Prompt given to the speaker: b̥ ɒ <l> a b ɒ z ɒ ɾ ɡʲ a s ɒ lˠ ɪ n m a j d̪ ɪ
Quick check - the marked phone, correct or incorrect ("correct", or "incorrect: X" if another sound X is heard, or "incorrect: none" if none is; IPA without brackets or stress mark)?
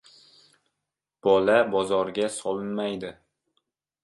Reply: correct